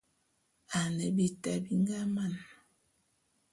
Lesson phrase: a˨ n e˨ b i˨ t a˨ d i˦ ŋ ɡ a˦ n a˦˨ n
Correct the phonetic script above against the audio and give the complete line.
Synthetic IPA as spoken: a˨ n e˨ b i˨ t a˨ b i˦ ŋ ɡ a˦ m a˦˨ n